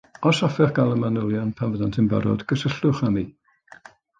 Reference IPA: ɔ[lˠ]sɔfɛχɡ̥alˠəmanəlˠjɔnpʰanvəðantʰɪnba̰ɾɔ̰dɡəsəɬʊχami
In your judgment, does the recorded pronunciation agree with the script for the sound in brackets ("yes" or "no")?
no